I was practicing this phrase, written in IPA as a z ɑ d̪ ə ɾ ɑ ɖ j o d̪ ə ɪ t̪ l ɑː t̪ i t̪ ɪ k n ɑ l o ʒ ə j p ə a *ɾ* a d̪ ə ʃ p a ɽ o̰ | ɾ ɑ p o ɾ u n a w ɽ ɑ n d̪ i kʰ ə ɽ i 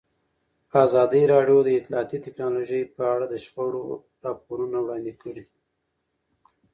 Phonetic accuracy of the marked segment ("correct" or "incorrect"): incorrect